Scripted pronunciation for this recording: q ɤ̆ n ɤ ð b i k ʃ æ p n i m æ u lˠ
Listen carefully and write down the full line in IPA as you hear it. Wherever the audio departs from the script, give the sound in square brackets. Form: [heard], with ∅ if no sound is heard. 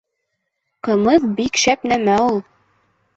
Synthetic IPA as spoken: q ɤ̆ [m] ɤ ð b i k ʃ æ p n [æ] m æ u lˠ